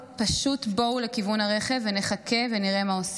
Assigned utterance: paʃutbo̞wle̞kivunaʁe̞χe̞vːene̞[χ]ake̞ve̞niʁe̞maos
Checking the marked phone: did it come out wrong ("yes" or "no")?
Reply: no